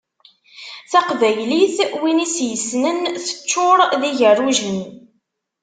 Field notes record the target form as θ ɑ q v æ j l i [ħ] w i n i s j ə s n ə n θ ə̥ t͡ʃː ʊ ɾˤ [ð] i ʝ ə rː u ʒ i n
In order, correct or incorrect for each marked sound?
incorrect, correct

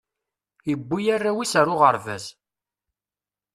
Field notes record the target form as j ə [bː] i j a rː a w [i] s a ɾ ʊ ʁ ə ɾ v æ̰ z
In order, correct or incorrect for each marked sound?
correct, correct

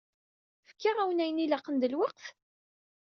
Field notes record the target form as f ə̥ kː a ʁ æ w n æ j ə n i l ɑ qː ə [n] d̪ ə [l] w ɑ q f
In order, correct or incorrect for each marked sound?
correct, correct

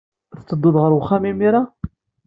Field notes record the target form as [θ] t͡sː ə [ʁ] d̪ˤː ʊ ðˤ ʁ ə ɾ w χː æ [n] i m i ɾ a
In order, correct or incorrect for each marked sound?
correct, incorrect, incorrect

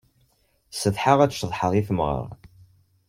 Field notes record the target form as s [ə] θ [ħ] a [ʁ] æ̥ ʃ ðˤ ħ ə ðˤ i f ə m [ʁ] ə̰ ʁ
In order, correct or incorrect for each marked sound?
correct, correct, correct, correct

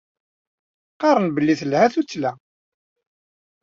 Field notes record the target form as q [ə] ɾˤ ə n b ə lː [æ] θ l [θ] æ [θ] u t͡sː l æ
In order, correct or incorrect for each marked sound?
incorrect, incorrect, incorrect, correct

